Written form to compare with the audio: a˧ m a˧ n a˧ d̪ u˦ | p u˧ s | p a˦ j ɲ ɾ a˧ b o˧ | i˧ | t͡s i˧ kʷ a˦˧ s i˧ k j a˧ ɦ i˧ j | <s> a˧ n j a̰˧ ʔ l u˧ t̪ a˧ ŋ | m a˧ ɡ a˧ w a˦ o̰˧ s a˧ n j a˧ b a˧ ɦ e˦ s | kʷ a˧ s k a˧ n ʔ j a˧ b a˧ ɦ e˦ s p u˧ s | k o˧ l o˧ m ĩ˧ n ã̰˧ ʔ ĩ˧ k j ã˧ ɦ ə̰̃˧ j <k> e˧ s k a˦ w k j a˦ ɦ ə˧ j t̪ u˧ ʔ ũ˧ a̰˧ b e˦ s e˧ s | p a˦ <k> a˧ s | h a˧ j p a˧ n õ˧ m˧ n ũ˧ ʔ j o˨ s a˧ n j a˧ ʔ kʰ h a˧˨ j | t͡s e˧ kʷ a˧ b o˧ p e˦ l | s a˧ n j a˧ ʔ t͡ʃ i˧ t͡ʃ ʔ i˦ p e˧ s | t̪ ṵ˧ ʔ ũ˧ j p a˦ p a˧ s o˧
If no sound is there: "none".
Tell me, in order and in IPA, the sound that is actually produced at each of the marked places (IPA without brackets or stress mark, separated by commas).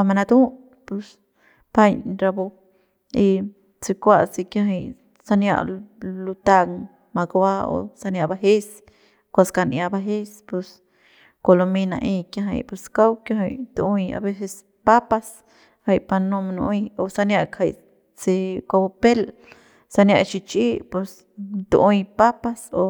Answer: s, p, p